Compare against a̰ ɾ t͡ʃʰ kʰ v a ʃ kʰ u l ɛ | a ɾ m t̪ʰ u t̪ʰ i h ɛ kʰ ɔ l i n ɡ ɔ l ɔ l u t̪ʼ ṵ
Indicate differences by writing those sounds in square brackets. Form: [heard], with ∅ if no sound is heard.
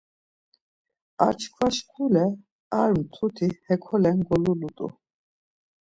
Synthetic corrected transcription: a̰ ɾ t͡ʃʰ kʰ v a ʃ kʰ u l ɛ | a ɾ m t̪ʰ u t̪ʰ i h ɛ kʰ ɔ l [ɛ] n ɡ ɔ l [u] l u t̪ʼ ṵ

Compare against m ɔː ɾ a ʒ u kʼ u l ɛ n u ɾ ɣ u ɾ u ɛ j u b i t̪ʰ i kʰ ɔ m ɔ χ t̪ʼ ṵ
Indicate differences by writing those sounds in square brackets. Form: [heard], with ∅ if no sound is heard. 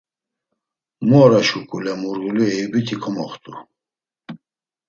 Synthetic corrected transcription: m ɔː ɾ a [ʃ] u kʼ u l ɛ [m] u ɾ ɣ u [l] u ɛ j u b i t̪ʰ i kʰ ɔ m ɔ χ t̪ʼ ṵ

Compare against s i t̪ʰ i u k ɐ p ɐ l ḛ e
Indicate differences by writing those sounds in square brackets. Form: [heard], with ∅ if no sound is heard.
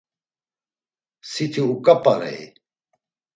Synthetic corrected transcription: s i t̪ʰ i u k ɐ p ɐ [ɾ] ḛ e

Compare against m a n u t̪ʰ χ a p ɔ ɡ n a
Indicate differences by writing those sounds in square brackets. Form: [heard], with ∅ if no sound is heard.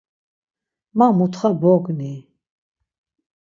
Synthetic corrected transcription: m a [m] u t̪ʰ χ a [b] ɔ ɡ n [i]

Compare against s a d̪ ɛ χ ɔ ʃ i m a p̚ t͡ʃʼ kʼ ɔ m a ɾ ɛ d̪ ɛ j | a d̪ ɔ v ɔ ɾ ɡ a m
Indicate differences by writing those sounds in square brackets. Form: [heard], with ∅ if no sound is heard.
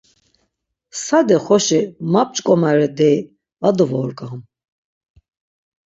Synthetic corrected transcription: s a d̪ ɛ χ ɔ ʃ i m a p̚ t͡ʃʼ kʼ ɔ m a ɾ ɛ d̪ ɛ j | a d̪ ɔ v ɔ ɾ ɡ a m

